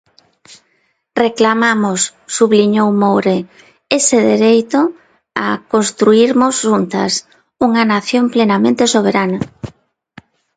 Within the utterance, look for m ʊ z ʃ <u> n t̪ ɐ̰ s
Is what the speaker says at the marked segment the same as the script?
yes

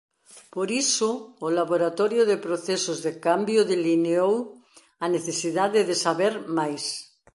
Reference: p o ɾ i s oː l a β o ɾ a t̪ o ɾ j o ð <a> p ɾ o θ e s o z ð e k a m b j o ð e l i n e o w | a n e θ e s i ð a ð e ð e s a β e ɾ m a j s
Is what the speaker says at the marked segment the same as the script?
no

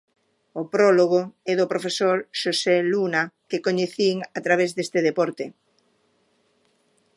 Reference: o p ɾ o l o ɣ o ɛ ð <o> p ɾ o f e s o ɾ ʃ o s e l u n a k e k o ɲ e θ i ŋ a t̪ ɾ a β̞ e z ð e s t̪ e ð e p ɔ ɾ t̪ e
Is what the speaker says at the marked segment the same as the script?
yes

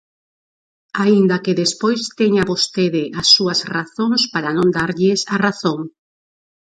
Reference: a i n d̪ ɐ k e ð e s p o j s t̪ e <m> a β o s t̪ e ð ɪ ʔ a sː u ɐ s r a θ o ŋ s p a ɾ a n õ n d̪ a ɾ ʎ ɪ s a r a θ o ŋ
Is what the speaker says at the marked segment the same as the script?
no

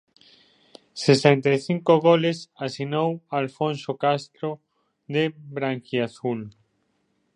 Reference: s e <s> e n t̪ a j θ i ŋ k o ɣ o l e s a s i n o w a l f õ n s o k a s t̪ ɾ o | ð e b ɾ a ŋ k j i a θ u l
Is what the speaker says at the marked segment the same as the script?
yes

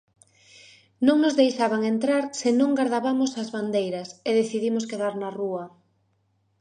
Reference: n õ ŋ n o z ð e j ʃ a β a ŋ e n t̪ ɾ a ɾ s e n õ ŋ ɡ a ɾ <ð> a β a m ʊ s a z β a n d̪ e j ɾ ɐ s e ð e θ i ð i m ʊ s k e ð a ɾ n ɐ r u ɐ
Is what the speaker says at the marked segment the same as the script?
yes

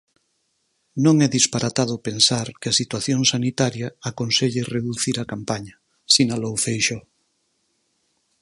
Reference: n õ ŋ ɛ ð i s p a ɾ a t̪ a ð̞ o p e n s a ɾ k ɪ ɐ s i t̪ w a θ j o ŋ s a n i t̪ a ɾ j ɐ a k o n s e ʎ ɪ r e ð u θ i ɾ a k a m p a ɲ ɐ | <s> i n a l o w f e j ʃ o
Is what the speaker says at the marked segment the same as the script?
yes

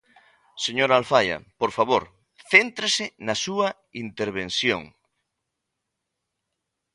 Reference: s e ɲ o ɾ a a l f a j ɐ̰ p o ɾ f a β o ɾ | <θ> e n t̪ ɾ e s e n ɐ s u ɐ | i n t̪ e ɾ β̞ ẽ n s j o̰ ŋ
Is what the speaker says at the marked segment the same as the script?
yes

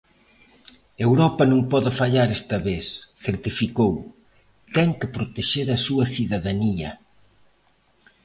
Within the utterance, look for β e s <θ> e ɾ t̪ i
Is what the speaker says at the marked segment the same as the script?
yes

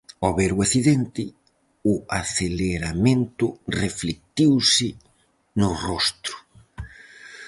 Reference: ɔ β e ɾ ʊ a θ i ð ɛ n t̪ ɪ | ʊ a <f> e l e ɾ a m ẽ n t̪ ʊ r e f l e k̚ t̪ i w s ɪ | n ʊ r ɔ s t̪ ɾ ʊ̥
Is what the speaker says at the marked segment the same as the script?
no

